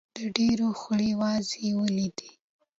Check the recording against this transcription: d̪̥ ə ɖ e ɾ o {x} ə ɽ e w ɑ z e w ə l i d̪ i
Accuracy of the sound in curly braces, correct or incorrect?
correct